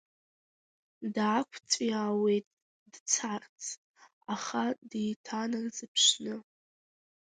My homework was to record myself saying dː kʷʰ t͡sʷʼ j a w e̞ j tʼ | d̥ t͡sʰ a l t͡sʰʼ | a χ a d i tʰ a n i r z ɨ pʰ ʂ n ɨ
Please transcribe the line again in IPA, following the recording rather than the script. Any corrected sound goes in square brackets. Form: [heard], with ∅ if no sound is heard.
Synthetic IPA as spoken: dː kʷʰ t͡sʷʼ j a w e̞ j tʼ | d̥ t͡sʰ a [r] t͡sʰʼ | a χ a d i tʰ a n [a] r z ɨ pʰ ʂ n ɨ